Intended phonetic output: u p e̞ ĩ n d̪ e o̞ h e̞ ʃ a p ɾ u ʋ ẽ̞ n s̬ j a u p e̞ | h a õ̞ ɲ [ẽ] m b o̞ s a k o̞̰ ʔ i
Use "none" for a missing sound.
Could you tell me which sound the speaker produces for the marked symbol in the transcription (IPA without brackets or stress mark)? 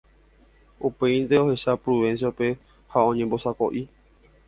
ẽ